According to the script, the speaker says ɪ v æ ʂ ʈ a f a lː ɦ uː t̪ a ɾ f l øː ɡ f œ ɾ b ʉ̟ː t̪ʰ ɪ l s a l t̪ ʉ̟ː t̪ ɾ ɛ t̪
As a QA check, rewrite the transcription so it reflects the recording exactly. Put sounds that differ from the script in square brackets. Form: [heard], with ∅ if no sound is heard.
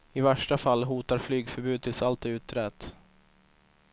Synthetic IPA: ɪ v æ ʂ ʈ a f a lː ɦ uː t̪ a ɾ f l [yː] ɡ f œ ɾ b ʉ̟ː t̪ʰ ɪ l s a l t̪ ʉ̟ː t̪ ɾ ɛ t̪

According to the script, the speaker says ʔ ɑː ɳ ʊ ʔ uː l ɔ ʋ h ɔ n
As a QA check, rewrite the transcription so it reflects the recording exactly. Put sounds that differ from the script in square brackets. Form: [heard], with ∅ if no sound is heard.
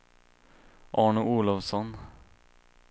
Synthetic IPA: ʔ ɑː ɳ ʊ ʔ uː l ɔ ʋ [s] ɔ n

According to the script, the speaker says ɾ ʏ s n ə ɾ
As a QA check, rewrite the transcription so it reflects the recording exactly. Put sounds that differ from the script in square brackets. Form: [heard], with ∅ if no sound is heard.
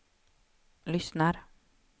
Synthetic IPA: [l] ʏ s n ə ɾ

